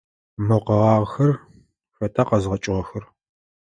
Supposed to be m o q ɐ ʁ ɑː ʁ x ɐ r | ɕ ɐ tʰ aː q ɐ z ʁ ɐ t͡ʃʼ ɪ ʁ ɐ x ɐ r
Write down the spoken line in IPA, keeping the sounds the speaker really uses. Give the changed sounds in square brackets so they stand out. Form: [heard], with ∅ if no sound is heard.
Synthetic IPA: m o q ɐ ʁ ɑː ʁ x ɐ r | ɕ ɐ tʰ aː q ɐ z ʁ ɐ t͡ʃʼ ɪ ʁ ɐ x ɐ r